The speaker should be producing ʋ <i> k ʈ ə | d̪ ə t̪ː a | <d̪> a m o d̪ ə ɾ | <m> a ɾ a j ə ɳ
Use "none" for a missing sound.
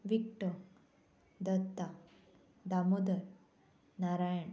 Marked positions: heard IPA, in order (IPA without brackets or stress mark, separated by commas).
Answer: i, d̪, n